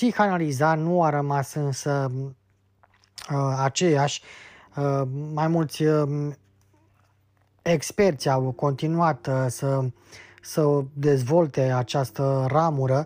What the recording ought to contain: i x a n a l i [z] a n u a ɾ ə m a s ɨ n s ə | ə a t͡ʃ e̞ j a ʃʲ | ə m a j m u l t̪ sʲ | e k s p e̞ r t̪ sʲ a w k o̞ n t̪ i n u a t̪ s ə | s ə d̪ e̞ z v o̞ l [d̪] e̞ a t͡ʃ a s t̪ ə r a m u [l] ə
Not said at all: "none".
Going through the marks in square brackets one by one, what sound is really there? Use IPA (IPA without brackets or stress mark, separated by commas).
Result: z, t̪, ɾ